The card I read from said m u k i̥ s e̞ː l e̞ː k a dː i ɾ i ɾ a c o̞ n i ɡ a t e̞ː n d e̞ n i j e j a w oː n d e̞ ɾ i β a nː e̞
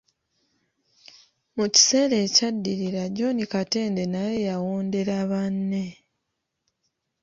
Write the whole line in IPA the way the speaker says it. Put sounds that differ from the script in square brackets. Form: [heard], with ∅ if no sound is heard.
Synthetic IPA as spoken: m u [c] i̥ s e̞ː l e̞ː [c] a dː i ɾ i ɾ a [ɟ] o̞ n i [k] a t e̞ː n d e̞ n [a] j e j a w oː n d e̞ ɾ [a] β a nː e̞

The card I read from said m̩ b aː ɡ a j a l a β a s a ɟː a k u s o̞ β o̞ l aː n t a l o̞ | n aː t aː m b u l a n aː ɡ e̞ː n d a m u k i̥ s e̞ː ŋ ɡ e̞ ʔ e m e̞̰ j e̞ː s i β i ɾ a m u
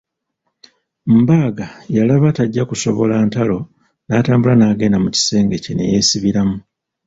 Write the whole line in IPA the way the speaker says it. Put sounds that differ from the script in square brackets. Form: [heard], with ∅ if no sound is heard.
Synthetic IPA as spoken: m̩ b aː ɡ a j a l a β a [t] a ɟː a k u s o̞ β o̞ l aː n t a l o̞ | n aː t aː m b u l a n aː ɡ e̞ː n d a m u [c] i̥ s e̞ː ŋ ɡ e̞ [c] e [n] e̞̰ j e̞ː s i β i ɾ a m u

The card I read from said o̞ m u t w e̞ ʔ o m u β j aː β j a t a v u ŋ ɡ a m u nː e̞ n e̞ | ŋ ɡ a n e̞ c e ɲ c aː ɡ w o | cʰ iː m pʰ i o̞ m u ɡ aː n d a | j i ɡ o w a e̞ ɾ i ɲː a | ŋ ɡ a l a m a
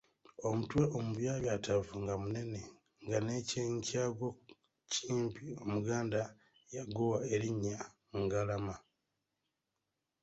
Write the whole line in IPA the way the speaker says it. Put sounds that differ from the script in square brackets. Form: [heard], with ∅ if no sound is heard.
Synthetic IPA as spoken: o̞ m u t w e̞ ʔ o m u β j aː β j a t a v u ŋ ɡ a m u [n] e̞ n e̞ | ŋ ɡ a n e̞ c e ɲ c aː ɡ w o | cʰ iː m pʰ i o̞ m u ɡ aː n d a | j [a] ɡ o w a e̞ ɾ i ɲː a | ŋ ɡ a l a m a

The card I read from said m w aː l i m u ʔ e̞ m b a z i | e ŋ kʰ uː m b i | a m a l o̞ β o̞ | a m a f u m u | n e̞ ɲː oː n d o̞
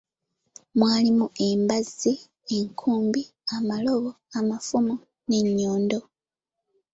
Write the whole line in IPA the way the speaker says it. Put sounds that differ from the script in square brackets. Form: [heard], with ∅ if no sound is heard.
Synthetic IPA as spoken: m w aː l i m u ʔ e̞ m b a z i | e ŋ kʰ uː m b i | a m a l o̞ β o̞ | a m a f u m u | n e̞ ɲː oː n d o̞

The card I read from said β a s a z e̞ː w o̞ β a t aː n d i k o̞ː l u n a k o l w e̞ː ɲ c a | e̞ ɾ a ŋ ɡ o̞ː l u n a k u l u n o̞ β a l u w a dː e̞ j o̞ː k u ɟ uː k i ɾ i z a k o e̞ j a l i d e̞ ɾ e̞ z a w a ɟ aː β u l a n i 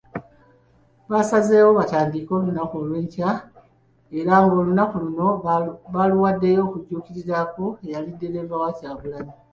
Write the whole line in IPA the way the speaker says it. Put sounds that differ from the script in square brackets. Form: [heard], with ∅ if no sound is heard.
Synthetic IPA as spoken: β a s a z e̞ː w o̞ β a t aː n d i k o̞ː l u n a k o l w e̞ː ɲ c a | e̞ ɾ a ŋ ɡ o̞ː l u n a k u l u n o̞ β a l u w a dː e̞ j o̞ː k u ɟ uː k i ɾ i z a k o e̞ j a l i d e̞ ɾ e̞ [v] a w a [c] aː β u l a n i

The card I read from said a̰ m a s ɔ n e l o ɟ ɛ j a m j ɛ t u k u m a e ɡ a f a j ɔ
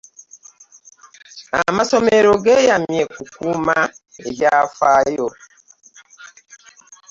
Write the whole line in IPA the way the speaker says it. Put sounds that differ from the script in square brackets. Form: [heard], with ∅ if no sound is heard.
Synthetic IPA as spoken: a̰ m a s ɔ [m] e [ɾ] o [ɡ] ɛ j a m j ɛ [k] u k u m a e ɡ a f a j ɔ

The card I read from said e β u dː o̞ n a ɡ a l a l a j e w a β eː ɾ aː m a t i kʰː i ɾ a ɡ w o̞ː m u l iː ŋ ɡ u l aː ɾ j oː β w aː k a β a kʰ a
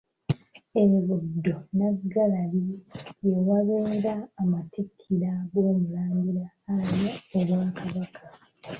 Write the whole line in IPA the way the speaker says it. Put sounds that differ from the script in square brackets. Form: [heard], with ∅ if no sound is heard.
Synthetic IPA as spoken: e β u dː o̞ n a ɡ a l a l [i] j e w a β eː ɾ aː m a t i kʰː i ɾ a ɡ w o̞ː m u l [aː] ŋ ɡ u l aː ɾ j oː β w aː k a β a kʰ a

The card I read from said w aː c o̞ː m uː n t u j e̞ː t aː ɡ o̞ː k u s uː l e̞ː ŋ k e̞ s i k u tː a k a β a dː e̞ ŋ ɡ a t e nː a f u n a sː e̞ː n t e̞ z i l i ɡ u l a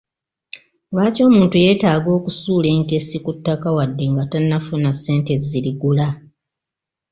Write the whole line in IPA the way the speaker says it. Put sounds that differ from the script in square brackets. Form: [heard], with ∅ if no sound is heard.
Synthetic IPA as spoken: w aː c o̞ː m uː n t u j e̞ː t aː ɡ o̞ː k u s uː l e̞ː ŋ k e̞ s i k u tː a k a [w] a dː e̞ ŋ ɡ a t [a] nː a f u n a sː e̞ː n t e̞ z i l i ɡ u l a

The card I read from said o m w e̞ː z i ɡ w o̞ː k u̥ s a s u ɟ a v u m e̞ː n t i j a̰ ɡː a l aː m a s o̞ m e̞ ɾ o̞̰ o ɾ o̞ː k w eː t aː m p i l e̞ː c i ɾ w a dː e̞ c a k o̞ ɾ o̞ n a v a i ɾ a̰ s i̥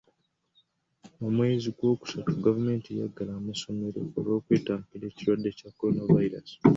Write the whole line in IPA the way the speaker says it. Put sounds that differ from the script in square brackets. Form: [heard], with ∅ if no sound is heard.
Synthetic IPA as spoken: o m w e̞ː z i ɡ w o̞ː k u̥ s a [t] u [ɡ] a v u m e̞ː n t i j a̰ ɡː a l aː m a s o̞ m e̞ ɾ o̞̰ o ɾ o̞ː k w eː t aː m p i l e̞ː c i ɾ w a dː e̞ c a k o̞ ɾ o̞ n a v a i ɾ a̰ s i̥

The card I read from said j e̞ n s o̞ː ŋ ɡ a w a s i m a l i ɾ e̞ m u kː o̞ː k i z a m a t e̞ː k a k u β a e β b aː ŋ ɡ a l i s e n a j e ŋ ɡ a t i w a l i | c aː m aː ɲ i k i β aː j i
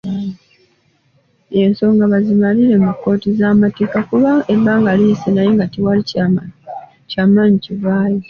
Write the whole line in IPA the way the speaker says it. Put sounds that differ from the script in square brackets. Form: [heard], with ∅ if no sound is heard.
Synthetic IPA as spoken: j e̞ n s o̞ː ŋ ɡ a [β] a [z] i m a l i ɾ e̞ m u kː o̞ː [t] i z a m a t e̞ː k a k u β a e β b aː ŋ ɡ a l i s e n a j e ŋ ɡ a t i w a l i | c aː m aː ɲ i [c] i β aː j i

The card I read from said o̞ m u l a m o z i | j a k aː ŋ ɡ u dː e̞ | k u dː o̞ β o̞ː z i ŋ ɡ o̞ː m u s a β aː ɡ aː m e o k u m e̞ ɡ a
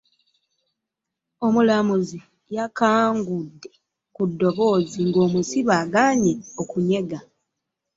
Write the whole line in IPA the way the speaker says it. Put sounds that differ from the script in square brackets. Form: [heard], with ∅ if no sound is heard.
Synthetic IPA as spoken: o̞ m u l a m [u] z i | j a k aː ŋ ɡ u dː e̞ | k u dː o̞ β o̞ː z i ŋ ɡ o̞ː m u s [i] β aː ɡ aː [ɲ] e o k u [ɲ] e̞ ɡ a

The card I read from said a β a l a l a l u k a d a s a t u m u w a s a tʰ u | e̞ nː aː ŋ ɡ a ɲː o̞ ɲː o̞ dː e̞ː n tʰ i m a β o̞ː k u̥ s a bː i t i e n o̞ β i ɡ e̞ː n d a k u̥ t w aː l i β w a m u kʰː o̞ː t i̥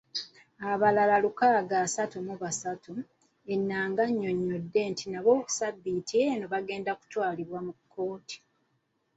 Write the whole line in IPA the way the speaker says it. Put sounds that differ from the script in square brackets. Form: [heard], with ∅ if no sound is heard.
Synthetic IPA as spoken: a β a l a l a l u k a [ɡ] a s a t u m u [β] a s a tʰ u | e̞ nː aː ŋ ɡ a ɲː o̞ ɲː o̞ dː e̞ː n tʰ i [n] a β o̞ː k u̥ s a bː i t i e n o̞ β [a] ɡ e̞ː n d a k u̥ t w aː l i β w a m u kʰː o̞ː t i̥

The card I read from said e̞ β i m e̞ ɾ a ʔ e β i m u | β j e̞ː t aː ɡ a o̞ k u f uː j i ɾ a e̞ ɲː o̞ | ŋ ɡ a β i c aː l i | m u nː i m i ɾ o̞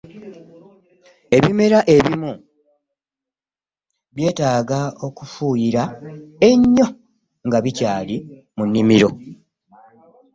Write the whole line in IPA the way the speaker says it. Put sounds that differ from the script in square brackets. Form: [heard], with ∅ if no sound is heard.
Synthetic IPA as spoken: e̞ β i m e̞ ɾ a ʔ e β i m u | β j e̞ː t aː ɡ a o̞ k u f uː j i ɾ a e̞ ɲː o̞ | ŋ ɡ a β i c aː l i | m u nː i m i ɾ o̞

